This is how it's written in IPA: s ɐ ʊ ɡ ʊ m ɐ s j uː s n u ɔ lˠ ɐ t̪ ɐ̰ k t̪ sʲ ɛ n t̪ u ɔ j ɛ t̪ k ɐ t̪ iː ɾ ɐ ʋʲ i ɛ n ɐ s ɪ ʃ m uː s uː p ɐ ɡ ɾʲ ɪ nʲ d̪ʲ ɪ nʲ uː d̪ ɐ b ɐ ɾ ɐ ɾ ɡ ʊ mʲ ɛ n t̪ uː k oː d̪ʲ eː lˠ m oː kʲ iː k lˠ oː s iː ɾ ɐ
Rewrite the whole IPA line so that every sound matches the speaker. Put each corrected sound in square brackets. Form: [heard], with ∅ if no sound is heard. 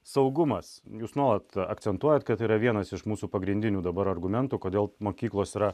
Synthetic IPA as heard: s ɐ ʊ ɡ ʊ m ɐ s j uː s n u ɔ lˠ ɐ t̪ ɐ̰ k t̪ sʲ ɛ n t̪ u ɔ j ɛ t̪ k ɐ t̪ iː ɾ ɐ ʋʲ i ɛ n ɐ s ɪ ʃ m uː s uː p ɐ ɡ ɾʲ ɪ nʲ d̪ʲ ɪ nʲ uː d̪ ɐ b ɐ ɾ ɐ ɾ ɡ ʊ mʲ ɛ n t̪ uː k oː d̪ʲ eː lˠ m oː kʲ iː k lˠ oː s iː ɾ ɐ